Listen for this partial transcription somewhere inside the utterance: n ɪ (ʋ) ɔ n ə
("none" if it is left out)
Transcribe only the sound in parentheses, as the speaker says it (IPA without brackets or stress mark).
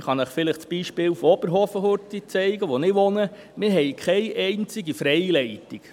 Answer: ʋ